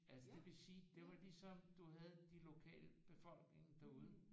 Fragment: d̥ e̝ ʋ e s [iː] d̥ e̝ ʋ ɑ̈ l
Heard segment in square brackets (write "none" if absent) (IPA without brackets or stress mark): iː